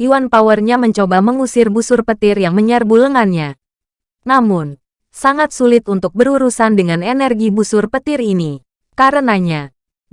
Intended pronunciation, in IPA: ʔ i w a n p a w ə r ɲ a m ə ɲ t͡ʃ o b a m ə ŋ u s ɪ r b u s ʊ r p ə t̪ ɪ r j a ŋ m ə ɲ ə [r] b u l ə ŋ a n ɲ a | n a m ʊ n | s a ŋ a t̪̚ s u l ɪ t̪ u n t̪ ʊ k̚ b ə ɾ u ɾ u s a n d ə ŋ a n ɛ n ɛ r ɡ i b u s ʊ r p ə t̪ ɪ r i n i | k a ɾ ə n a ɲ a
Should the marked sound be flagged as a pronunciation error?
no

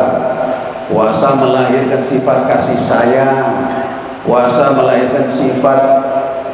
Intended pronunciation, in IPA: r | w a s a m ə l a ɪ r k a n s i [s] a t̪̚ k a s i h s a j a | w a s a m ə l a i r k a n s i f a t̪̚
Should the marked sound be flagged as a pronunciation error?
yes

